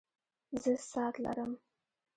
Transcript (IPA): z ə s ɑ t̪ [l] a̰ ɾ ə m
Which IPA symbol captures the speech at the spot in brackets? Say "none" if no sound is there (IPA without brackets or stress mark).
l